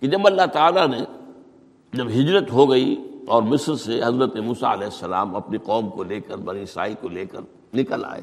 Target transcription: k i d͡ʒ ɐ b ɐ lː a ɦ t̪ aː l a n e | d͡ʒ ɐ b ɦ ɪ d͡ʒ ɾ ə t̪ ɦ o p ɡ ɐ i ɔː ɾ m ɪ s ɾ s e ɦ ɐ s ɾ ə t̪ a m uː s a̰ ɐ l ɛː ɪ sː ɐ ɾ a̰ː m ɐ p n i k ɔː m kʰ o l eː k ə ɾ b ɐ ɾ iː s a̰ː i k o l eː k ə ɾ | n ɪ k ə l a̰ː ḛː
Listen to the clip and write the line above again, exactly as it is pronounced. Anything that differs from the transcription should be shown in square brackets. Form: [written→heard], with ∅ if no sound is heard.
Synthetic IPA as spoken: k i d͡ʒ ɐ b ɐ lː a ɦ t̪ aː l a n e | d͡ʒ ɐ b ɦ ɪ d͡ʒ ɾ ə t̪ ɦ o [p→∅] ɡ ɐ i ɔː ɾ m ɪ s ɾ s e ɦ ɐ [s→z] ɾ ə t̪ [a→e] m uː s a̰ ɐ l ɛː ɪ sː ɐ [ɾ→l] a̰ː m ɐ p n i [k→q] ɔː m [kʰ→k] o l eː k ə ɾ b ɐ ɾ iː s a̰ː i k o l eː k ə ɾ | n ɪ k ə l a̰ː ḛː